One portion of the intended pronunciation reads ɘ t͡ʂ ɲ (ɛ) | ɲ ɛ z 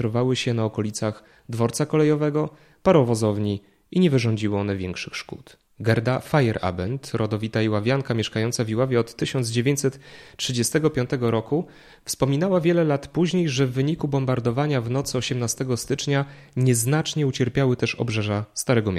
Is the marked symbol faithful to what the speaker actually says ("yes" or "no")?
no